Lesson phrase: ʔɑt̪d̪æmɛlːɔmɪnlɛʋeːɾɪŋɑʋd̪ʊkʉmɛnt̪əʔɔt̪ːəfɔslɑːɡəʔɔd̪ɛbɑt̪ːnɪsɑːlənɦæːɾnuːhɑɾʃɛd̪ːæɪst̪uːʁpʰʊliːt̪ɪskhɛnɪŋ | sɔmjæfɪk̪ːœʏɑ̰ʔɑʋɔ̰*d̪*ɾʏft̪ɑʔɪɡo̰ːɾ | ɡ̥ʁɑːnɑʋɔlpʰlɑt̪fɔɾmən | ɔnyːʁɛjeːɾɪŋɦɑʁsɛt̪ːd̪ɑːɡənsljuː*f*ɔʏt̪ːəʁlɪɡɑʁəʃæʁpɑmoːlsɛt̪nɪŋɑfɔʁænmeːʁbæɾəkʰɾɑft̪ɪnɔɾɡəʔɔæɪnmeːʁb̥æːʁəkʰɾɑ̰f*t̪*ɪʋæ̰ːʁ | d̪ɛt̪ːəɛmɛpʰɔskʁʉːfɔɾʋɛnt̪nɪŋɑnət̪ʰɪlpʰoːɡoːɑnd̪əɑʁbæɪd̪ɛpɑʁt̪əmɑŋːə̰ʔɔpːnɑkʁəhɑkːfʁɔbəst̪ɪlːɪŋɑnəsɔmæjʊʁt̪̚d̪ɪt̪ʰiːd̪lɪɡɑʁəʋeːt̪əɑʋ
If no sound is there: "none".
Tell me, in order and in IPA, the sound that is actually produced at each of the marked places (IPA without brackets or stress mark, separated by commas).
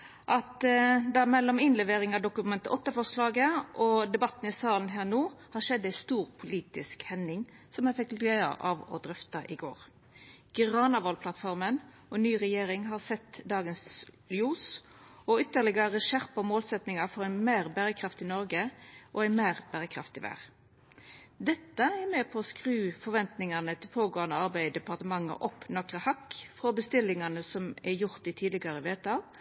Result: d̪, s, t̪